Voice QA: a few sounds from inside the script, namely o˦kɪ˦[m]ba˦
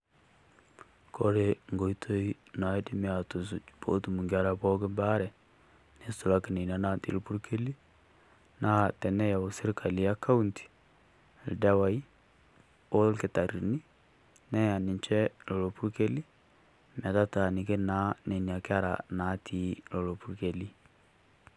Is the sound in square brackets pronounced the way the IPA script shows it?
yes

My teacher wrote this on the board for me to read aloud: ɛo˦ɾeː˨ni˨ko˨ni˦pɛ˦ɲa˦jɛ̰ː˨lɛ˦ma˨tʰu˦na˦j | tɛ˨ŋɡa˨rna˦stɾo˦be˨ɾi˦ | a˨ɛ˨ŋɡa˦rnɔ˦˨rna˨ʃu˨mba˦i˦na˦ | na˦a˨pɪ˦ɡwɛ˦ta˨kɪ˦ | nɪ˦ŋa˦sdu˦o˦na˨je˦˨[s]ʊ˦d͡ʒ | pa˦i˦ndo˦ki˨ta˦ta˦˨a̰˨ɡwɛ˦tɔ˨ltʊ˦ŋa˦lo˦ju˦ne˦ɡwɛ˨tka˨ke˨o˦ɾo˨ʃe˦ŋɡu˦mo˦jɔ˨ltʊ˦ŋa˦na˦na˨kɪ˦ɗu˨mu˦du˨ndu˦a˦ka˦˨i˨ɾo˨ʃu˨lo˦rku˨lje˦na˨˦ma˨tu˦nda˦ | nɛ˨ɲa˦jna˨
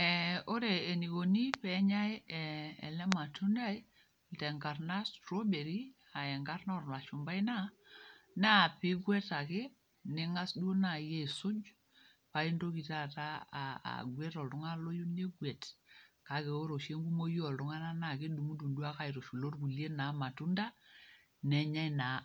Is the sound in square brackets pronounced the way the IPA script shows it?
yes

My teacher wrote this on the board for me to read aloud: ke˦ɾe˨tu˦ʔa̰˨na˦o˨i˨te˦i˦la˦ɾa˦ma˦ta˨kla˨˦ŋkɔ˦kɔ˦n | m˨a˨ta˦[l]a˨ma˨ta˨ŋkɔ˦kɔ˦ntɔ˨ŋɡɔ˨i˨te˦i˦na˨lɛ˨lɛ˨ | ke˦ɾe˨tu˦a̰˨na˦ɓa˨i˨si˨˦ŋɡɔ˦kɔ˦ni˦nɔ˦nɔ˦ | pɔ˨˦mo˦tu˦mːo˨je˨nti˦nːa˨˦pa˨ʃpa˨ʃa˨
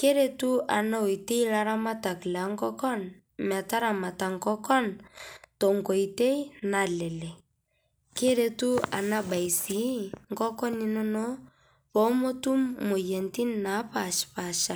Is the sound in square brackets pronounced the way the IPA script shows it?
no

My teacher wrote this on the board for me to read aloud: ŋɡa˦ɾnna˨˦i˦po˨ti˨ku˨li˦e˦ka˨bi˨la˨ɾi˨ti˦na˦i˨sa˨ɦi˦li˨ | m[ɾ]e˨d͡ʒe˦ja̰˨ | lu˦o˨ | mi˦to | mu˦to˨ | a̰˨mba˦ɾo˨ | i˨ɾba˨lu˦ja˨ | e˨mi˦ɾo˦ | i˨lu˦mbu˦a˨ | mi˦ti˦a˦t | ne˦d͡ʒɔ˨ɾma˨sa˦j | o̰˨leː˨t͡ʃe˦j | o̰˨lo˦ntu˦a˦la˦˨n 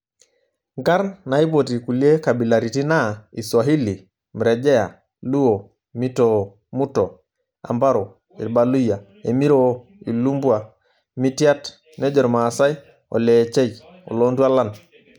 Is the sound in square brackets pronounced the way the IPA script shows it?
yes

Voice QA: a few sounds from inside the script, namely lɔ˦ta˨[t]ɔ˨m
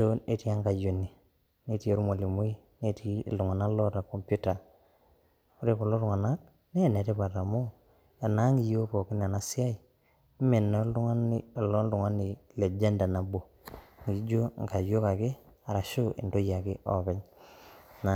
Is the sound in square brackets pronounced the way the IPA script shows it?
no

